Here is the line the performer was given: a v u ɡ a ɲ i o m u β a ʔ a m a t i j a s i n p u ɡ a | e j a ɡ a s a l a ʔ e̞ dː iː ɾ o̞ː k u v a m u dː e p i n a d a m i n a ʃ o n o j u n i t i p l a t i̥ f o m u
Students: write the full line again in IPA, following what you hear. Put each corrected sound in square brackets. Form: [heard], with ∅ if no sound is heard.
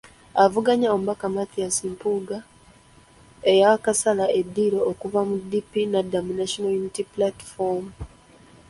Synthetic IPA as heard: a v u ɡ a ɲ [a] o m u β a [k] a m a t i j a s i [m] p u ɡ a | e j a [k] a s a l a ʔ e̞ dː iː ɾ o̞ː k u v a m u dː [i] p i n a d a m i n a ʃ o n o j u n i t i p l a t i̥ f o m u